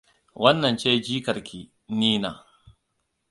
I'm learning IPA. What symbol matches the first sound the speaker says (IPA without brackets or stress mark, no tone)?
w